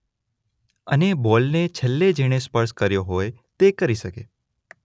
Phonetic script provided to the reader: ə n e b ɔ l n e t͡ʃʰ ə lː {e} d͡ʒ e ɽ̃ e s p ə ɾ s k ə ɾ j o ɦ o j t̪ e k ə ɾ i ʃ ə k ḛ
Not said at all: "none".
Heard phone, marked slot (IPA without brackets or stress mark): e